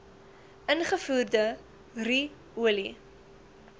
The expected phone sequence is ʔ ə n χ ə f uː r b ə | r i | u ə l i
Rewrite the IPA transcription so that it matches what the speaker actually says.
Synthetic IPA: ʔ ə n χ ə f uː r d ə | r i | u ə l i